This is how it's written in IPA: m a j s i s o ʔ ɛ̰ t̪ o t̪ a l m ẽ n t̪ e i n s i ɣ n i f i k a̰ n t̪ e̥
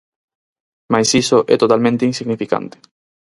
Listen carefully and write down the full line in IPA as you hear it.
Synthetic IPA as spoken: m a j s i s o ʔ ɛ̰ t̪ o t̪ a l m ẽ n t̪ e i n s i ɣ n i f i k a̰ n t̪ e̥